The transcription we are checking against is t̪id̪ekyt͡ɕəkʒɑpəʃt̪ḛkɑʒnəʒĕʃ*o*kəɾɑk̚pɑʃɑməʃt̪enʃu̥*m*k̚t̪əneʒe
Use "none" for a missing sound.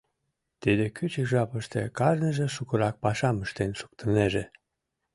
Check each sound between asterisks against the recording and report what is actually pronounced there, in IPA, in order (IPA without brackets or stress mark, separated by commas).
u, none